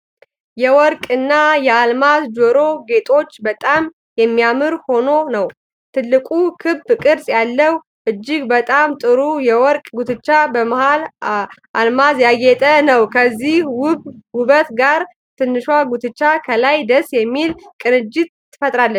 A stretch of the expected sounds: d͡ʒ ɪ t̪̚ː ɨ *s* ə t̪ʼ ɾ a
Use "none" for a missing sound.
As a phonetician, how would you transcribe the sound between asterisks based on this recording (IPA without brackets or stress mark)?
f